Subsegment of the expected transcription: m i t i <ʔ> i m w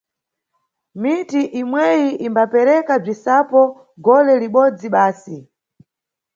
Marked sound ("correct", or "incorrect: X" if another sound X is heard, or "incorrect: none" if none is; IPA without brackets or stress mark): correct